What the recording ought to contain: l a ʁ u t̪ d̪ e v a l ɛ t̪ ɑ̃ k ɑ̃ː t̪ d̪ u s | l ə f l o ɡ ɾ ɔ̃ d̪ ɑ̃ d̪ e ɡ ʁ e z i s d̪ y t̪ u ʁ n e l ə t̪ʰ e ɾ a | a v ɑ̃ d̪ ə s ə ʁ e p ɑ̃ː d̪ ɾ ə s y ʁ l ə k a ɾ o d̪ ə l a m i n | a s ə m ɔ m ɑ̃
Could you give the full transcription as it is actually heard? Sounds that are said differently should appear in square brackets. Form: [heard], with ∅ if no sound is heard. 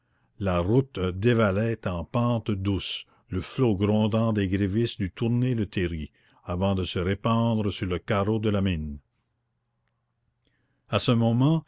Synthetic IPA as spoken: l a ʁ u t̪ d̪ e v a l ɛ t̪ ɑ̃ [p] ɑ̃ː t̪ d̪ u s | l ə f l o ɡ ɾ ɔ̃ d̪ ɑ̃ d̪ e ɡ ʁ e [v] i s d̪ y t̪ u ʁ n e l ə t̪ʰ e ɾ [i] | a v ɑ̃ d̪ ə s ə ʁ e p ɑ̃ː d̪ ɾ ə s y ʁ l ə k a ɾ o d̪ ə l a m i n | a s ə m ɔ m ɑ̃